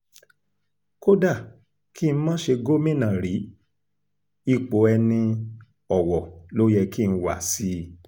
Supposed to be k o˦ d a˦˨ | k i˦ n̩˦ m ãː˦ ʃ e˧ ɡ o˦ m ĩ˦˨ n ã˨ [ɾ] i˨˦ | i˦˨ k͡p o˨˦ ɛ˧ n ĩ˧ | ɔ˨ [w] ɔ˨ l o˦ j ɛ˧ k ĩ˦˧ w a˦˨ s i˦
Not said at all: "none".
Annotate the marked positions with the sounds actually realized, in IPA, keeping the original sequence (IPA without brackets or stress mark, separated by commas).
ɾ, w